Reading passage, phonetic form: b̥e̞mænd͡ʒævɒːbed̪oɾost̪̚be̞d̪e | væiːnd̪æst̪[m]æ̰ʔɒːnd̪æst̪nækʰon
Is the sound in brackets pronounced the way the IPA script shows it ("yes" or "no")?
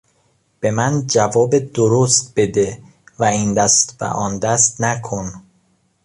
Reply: no